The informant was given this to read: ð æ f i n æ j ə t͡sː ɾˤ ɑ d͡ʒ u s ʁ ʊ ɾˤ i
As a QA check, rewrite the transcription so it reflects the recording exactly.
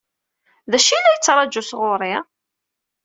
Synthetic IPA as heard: ð æ ʃ i n æ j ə t͡sː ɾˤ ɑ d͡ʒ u s ʁ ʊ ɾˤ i